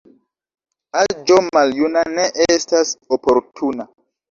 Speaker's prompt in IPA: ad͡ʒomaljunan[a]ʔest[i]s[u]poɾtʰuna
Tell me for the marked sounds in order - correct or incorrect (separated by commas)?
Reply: incorrect, incorrect, incorrect